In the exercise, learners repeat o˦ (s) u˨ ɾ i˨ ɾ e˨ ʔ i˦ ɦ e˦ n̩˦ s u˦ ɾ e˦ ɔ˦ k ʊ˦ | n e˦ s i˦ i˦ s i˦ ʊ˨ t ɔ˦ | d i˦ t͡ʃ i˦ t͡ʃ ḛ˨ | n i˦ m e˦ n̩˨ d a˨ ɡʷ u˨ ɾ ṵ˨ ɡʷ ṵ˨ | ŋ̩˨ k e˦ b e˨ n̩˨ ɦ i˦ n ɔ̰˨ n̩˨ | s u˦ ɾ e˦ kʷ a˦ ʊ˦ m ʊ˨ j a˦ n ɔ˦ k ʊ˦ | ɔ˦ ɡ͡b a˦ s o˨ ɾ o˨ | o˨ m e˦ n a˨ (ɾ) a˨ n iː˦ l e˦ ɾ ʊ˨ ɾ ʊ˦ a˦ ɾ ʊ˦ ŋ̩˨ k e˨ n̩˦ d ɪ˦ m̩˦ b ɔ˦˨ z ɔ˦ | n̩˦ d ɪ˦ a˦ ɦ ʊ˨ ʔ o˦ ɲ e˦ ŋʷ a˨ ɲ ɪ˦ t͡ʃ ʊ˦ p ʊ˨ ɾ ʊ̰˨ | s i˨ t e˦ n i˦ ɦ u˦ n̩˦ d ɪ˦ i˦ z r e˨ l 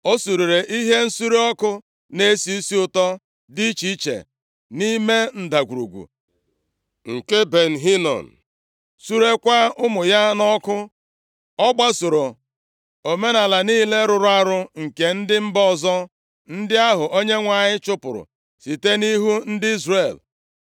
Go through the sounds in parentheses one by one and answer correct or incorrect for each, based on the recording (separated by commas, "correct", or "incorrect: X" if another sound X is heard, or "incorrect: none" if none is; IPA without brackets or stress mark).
correct, incorrect: l